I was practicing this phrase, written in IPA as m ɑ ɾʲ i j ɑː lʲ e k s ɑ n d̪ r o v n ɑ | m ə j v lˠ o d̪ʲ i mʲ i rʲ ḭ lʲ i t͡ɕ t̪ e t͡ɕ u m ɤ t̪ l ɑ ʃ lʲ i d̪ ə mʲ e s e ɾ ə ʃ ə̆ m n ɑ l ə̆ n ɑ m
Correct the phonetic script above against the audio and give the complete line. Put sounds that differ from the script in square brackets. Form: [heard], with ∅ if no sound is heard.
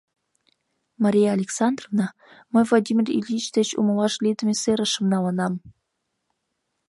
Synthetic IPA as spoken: m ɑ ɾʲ i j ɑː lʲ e k s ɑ n d̪ r o v n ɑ | m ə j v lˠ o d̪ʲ i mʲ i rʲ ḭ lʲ i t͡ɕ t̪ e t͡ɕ u m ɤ [∅] l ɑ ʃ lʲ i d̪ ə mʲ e s e ɾ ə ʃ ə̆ m n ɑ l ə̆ n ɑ m